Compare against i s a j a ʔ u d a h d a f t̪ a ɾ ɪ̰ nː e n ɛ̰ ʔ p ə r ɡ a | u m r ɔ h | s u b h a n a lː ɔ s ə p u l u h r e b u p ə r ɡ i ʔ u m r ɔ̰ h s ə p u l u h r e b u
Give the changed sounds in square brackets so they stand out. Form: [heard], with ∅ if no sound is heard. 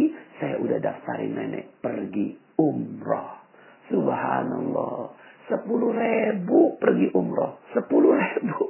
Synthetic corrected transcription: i s a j a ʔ u d a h d a f t̪ a ɾ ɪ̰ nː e n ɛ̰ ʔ p ə r ɡ [i] | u m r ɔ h | s u b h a n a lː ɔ s ə p u l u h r e b u p ə r ɡ i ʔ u m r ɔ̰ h s ə p u l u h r e b u